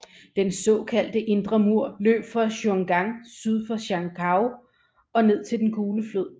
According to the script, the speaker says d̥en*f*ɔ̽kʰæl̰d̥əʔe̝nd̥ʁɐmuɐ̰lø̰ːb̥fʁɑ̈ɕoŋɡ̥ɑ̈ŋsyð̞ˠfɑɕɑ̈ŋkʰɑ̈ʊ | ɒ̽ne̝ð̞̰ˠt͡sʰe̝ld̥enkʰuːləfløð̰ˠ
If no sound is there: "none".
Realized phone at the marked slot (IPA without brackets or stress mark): s